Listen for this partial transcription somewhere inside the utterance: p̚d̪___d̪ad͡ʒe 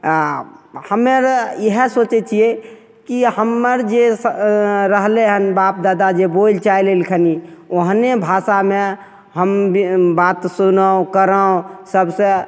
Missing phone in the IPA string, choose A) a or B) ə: A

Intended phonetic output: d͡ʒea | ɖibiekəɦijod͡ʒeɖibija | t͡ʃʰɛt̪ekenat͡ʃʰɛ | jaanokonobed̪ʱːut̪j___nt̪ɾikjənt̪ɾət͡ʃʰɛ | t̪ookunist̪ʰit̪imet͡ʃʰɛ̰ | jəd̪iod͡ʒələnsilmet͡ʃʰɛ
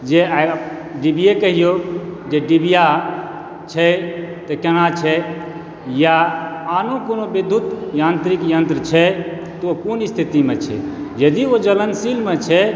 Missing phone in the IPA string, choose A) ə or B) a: B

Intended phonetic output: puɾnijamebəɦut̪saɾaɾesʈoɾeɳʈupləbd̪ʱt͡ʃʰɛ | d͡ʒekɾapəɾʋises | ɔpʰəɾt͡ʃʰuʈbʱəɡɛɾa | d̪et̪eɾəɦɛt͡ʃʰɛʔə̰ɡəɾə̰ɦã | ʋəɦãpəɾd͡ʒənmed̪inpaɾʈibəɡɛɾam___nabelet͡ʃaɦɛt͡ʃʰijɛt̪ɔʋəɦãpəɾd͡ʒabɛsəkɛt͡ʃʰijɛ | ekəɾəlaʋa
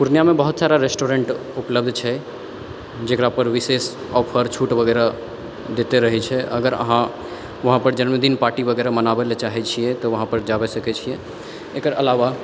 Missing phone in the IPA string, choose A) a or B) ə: B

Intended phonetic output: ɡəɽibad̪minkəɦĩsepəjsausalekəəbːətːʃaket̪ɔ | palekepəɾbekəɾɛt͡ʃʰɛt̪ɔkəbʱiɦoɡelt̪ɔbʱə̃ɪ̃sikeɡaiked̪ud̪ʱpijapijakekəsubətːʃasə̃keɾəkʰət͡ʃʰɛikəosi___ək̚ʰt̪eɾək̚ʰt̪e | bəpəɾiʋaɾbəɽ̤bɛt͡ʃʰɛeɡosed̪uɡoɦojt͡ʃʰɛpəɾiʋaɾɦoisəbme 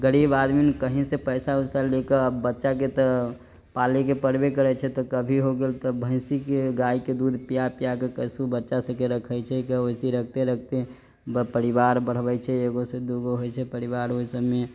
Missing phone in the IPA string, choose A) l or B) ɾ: B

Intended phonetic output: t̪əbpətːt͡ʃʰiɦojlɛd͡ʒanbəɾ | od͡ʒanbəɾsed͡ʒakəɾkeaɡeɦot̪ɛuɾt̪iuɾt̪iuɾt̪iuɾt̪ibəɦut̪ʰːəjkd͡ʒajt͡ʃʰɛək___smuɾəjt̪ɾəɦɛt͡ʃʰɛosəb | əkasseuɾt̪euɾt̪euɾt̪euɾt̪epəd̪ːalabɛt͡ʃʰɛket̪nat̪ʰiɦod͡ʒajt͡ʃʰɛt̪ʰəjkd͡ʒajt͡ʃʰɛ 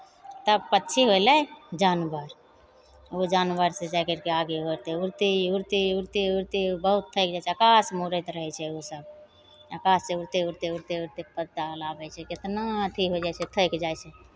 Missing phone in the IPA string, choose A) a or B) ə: A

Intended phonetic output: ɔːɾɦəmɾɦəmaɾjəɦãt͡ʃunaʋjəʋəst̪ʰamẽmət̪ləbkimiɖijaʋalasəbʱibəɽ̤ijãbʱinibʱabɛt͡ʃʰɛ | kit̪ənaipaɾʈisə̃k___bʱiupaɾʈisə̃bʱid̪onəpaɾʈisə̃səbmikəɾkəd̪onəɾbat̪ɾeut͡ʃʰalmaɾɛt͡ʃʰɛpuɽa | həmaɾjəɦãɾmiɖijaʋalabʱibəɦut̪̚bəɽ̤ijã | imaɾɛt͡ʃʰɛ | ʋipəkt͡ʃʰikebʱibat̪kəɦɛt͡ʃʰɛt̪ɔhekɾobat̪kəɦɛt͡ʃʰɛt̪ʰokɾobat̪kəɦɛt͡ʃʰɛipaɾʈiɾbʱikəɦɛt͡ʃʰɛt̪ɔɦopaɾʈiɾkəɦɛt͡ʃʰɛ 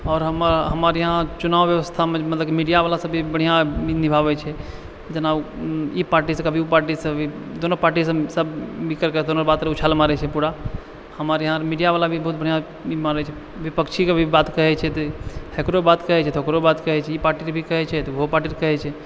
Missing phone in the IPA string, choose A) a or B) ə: B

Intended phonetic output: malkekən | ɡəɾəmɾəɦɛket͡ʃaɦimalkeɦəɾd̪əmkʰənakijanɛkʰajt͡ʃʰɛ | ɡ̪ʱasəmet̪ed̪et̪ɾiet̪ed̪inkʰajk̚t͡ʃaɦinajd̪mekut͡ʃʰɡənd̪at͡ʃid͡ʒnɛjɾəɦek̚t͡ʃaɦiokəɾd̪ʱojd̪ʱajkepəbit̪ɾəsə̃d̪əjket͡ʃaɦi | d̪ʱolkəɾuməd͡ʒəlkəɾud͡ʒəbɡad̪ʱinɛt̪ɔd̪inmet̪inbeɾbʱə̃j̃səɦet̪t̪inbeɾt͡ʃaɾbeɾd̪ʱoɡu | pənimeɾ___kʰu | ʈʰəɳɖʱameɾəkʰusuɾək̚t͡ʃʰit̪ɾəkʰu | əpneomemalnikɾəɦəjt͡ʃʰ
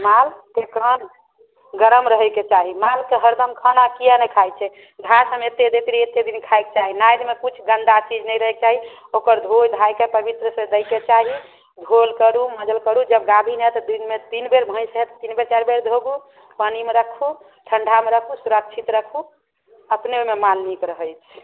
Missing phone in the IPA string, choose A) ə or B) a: A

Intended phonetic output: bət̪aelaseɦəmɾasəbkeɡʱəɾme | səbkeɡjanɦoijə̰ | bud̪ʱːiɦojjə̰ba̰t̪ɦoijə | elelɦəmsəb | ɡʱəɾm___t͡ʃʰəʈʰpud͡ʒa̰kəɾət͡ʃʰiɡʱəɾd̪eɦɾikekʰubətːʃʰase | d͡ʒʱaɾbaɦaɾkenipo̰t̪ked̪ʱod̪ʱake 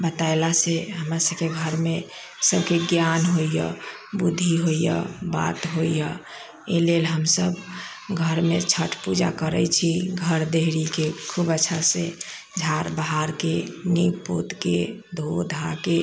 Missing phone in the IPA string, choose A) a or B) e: B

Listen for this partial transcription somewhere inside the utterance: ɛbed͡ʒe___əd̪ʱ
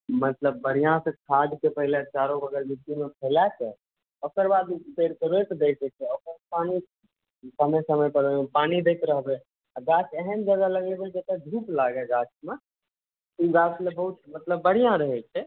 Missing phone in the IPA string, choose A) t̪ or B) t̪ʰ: A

